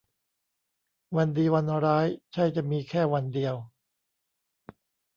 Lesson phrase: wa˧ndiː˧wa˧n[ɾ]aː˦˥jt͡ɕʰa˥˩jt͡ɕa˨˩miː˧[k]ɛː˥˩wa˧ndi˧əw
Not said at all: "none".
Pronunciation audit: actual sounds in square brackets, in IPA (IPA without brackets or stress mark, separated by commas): ɾ, kʰ